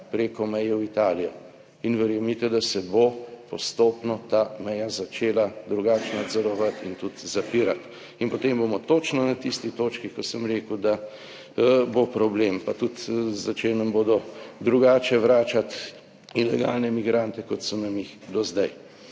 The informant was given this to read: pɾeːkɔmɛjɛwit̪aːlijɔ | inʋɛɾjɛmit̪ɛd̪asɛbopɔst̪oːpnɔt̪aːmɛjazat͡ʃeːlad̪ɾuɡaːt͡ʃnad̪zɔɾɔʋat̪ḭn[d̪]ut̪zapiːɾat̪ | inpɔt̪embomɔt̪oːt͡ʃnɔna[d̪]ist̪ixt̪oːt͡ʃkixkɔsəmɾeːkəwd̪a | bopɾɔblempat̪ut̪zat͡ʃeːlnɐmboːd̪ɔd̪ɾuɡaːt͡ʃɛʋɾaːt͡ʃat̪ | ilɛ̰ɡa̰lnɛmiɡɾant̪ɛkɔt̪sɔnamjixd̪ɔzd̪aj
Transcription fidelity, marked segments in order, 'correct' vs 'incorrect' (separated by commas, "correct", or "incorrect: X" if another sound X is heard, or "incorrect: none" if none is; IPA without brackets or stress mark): incorrect: t̪, incorrect: t̪